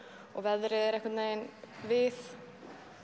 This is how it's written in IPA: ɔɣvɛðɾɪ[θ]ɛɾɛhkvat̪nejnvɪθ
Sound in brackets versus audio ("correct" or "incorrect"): incorrect